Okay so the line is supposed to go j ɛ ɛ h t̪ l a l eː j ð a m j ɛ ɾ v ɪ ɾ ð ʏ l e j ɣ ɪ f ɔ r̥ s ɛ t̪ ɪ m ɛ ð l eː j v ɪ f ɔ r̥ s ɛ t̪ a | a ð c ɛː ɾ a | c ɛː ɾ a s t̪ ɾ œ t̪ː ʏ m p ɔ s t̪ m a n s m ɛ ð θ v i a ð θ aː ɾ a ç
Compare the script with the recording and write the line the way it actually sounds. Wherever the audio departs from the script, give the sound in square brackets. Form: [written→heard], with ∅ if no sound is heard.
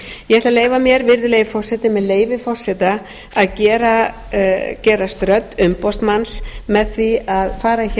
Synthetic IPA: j ɛ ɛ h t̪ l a l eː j [ð→v] a m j ɛ ɾ v ɪ ɾ ð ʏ l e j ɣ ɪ f ɔ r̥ s ɛ t̪ ɪ m ɛ ð l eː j v ɪ f ɔ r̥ s ɛ t̪ a | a ð c ɛː ɾ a | c ɛː ɾ a s t̪ ɾ œ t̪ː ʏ m p ɔ s t̪ m a n s m ɛ ð θ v i a ð [θ→f] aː ɾ a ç